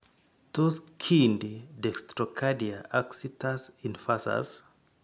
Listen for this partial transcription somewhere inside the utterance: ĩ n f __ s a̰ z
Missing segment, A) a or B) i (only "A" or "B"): A